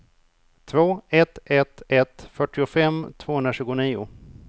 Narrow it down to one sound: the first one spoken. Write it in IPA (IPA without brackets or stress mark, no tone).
t̪ʰ